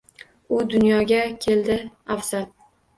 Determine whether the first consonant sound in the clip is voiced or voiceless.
voiced